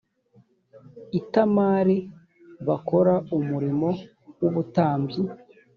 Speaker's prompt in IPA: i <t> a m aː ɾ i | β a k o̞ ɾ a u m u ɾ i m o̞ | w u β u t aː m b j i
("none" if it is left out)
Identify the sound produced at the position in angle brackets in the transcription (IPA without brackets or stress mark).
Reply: t